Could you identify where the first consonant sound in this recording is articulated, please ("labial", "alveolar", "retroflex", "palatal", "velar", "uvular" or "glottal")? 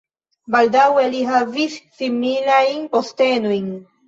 labial